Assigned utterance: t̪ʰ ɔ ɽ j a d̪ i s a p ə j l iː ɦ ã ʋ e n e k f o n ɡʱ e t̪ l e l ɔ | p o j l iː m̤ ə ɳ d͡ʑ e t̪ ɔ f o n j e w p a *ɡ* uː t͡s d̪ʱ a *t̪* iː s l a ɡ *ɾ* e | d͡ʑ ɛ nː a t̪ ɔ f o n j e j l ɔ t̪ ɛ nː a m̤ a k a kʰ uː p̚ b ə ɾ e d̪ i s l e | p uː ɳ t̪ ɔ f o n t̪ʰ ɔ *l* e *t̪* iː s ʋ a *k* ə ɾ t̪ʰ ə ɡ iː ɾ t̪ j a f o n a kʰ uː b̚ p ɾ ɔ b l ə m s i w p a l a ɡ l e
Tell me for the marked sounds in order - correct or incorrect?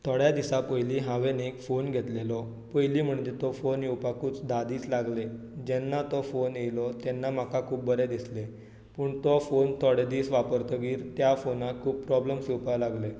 incorrect: k, incorrect: d̪, incorrect: l, incorrect: ɽ, incorrect: d̪, incorrect: p

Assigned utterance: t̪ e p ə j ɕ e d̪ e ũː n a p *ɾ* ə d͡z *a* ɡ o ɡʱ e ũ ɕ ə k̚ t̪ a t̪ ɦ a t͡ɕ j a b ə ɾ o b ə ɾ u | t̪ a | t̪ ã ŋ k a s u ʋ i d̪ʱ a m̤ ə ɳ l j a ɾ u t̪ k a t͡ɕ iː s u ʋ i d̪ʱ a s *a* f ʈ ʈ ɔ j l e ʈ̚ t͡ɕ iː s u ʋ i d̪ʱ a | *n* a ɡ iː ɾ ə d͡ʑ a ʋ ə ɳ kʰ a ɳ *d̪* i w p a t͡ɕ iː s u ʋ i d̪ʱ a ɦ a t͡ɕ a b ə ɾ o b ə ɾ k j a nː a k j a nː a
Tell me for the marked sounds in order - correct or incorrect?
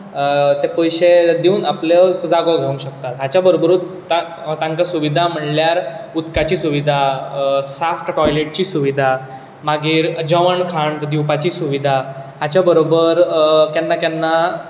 incorrect: l, correct, correct, incorrect: m, correct

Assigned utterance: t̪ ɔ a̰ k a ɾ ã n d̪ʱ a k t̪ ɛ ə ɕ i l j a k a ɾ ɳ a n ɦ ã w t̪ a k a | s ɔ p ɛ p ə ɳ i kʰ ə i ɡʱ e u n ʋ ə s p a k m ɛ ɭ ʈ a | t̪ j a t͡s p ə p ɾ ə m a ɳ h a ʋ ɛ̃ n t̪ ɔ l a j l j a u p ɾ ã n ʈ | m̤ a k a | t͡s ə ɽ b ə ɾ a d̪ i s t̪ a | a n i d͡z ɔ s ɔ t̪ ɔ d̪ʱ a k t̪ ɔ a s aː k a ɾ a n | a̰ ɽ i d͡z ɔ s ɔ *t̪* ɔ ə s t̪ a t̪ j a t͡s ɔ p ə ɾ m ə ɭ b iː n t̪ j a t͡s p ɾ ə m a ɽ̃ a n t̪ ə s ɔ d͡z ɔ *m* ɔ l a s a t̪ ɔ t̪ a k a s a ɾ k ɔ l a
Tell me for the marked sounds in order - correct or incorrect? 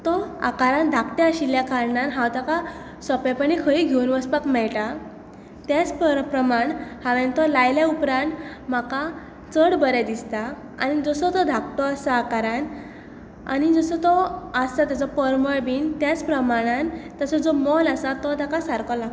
correct, correct

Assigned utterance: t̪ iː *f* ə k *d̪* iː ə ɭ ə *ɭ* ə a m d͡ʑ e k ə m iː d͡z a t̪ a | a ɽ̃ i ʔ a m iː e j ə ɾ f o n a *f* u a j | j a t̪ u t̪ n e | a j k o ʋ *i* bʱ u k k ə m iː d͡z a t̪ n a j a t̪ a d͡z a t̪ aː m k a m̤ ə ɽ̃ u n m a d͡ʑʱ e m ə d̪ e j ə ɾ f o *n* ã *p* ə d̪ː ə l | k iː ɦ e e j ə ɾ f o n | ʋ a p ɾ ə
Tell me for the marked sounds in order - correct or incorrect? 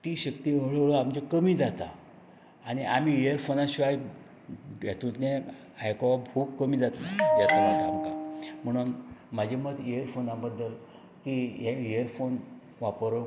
incorrect: ɕ, incorrect: t̪, correct, incorrect: ɕ, incorrect: a, correct, incorrect: b

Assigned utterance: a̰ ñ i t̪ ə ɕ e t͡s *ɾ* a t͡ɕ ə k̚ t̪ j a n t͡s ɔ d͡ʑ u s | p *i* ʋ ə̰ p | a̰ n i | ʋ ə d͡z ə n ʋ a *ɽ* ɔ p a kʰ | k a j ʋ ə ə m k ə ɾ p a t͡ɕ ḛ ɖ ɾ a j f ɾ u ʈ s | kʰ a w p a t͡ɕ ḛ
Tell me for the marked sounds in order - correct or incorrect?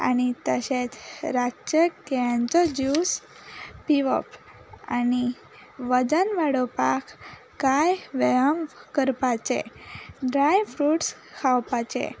correct, correct, correct

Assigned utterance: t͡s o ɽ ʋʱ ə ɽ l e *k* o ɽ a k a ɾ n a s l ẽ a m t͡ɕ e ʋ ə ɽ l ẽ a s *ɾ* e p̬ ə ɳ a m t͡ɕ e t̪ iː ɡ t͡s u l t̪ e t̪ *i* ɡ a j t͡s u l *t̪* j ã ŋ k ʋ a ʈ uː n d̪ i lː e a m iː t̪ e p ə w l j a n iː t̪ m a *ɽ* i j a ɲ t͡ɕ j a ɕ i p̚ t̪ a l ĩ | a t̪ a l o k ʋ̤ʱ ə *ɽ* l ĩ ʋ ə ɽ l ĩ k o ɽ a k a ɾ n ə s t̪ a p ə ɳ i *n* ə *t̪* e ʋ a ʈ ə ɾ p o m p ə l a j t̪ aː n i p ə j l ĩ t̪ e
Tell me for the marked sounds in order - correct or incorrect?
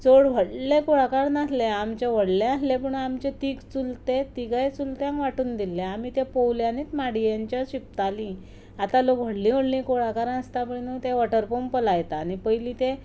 correct, incorrect: l, correct, correct, correct, correct, correct, correct

